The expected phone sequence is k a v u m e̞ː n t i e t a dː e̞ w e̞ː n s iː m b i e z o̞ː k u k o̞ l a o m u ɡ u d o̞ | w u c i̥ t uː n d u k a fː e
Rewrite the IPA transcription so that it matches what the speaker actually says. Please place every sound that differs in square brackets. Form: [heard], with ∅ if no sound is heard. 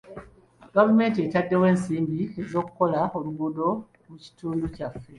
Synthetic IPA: [ɡ] a v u m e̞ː n t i e t a dː e̞ w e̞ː n s iː m b i e z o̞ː k u k o̞ l a o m u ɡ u d o̞ | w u c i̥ t uː n d u [c] a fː e